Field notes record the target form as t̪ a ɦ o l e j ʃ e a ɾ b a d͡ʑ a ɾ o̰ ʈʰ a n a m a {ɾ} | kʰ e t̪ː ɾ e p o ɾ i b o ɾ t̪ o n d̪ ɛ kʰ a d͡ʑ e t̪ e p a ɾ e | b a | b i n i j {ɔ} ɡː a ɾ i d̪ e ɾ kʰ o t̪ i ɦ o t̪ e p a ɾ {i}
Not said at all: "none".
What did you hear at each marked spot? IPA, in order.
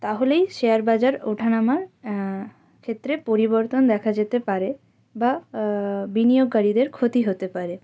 ɾ, o, e

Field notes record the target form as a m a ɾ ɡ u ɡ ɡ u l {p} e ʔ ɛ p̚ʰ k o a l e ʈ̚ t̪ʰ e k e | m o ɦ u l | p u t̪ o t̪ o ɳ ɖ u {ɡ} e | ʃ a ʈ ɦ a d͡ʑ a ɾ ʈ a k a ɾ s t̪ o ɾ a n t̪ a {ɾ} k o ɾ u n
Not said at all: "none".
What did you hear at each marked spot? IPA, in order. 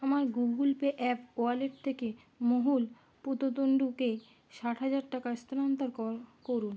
p, k, ɾ

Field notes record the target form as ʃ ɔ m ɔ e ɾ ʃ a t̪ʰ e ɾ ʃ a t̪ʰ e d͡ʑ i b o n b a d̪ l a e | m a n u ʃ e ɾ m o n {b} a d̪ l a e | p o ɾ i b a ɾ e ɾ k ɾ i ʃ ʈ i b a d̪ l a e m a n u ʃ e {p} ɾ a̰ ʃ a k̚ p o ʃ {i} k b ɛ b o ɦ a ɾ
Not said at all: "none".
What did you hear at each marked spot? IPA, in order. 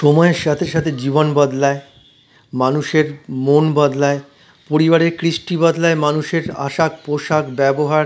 b, none, a

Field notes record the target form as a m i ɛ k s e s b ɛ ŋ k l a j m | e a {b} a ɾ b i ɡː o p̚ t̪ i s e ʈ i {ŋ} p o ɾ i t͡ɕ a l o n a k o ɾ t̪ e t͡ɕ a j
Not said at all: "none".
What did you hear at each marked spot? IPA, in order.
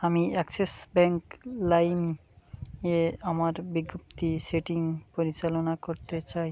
m, ŋ

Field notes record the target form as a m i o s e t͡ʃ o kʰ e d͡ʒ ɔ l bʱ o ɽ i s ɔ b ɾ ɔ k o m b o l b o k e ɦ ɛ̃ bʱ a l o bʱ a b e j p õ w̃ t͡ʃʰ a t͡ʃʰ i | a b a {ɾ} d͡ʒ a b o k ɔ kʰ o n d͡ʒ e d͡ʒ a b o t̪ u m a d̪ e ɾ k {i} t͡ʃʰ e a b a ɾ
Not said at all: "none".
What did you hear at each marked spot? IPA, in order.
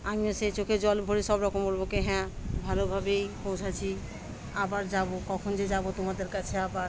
ɾ, a

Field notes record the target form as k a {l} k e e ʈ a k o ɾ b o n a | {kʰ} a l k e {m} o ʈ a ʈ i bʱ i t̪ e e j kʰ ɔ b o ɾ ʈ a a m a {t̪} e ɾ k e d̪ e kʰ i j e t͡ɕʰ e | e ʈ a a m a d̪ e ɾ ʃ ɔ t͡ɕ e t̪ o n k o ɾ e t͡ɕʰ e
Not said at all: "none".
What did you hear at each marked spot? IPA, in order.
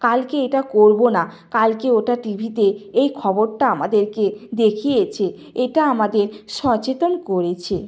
l, k, none, d̪

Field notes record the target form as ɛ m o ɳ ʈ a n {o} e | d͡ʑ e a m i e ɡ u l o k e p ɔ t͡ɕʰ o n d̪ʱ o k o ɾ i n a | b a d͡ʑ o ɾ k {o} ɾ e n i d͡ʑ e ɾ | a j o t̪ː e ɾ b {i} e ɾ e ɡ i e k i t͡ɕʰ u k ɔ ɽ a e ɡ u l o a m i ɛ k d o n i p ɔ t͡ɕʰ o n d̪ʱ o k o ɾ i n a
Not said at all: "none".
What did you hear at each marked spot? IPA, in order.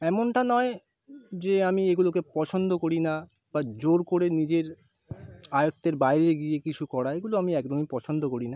ɔ, o, a

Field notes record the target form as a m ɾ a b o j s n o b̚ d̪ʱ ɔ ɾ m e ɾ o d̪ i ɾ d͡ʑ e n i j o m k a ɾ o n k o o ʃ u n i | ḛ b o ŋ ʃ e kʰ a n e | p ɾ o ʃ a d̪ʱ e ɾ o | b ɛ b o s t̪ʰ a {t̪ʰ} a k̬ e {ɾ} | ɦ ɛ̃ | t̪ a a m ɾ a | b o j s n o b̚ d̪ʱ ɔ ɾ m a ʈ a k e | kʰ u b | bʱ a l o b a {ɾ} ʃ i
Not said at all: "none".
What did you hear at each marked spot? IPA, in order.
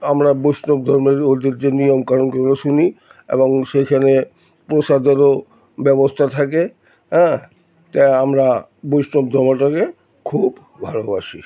t̪ʰ, none, none

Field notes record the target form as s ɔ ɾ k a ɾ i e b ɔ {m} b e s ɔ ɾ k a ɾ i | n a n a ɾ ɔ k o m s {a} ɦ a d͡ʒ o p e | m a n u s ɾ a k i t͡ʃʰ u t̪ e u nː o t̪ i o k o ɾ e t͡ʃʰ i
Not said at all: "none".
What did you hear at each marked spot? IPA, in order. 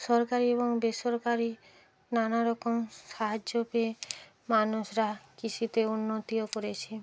ŋ, a

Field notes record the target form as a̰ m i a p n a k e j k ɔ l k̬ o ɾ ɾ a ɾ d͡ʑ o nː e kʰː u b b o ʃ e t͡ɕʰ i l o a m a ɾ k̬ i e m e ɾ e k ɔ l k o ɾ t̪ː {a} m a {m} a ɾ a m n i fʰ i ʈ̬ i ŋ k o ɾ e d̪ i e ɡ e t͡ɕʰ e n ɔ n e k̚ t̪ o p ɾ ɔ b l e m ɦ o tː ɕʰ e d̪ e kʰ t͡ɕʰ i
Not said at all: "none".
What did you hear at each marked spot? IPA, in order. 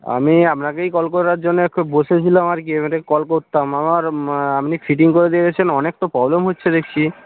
a, m

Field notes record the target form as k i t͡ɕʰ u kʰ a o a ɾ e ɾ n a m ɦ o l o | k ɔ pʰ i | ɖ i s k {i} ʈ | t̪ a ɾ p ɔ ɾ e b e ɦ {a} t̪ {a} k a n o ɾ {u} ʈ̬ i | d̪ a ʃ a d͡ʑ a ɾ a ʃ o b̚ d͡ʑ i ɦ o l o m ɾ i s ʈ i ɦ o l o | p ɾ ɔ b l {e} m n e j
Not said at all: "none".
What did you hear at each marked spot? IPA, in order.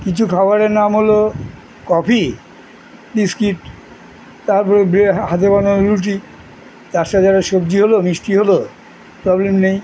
i, a, e, u, e

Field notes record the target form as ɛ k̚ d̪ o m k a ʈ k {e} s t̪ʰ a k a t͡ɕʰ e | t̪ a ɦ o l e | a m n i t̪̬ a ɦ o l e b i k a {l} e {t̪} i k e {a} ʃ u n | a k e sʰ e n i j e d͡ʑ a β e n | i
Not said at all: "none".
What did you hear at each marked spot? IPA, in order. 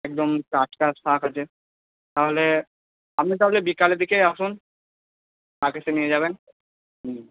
a, l, d̪, a

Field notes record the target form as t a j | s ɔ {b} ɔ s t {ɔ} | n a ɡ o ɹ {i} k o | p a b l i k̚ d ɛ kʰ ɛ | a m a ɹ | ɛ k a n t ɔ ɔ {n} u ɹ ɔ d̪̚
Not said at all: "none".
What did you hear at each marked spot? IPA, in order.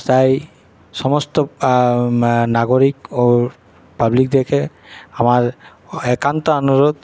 m, ɔ, i, n

